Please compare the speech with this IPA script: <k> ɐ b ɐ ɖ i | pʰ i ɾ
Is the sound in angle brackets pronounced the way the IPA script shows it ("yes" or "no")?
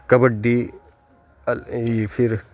yes